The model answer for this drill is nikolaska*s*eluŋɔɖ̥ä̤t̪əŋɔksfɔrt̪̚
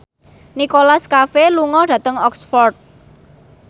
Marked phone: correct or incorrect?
incorrect